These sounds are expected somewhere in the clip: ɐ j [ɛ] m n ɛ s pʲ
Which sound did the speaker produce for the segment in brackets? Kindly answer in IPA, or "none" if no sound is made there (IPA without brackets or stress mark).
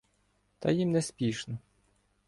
i